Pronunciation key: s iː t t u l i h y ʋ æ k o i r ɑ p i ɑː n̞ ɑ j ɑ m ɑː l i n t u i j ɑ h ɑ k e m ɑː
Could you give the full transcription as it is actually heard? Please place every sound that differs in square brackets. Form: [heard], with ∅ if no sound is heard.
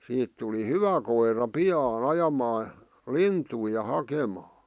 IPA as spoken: s iː t t u l i h y ʋ æ k o i r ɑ p i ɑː n̞ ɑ j ɑ m ɑː l i n t u i j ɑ h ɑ k e m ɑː